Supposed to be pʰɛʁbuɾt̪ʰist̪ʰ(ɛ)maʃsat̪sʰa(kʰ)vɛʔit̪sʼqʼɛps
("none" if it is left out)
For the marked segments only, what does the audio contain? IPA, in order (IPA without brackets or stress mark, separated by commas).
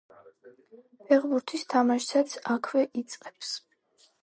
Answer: a, kʰ